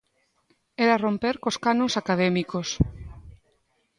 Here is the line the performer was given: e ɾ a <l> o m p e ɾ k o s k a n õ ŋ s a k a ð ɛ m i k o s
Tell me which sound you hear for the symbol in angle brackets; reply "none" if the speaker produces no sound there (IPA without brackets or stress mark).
r